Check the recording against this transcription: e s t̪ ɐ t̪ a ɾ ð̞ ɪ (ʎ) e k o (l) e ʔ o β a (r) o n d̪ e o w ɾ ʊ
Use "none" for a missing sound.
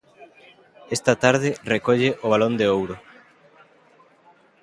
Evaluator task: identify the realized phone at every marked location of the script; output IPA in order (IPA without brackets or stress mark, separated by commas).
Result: r, ʎ, l